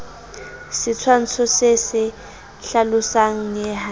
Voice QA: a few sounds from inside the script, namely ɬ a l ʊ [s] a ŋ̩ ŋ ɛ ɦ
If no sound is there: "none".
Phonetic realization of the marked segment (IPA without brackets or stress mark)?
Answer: s